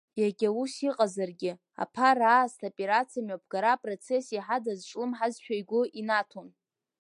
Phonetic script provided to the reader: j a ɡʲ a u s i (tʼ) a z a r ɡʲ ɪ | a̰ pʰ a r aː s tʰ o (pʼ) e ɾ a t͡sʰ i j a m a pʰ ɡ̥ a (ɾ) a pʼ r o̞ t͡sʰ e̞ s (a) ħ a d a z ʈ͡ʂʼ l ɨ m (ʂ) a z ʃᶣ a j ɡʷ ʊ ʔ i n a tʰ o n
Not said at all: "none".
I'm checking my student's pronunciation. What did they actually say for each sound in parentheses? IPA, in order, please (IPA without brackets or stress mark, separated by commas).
qʼ, pʼ, ɾ, i, ħ